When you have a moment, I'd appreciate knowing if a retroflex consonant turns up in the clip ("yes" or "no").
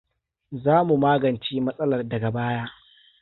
no